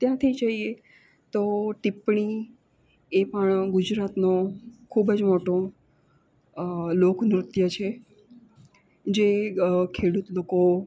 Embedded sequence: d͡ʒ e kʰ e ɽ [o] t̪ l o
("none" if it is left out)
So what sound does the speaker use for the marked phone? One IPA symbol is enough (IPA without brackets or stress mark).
u